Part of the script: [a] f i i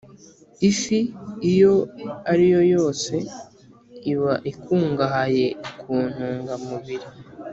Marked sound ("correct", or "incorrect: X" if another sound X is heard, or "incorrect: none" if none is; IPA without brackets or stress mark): incorrect: i